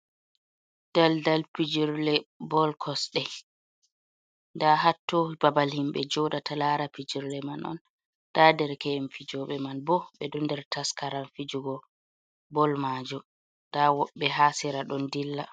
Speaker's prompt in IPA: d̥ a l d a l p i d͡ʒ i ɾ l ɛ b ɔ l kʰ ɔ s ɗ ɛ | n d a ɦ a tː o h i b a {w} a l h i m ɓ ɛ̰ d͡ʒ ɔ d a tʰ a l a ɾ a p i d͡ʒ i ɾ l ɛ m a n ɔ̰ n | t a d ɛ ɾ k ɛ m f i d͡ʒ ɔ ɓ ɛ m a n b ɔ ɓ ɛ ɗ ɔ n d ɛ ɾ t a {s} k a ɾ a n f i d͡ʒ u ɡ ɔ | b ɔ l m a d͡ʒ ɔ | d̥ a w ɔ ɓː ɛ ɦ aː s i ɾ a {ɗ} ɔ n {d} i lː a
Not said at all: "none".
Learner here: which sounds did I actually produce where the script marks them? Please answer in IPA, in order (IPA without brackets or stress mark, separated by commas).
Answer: b, s, ɗ, d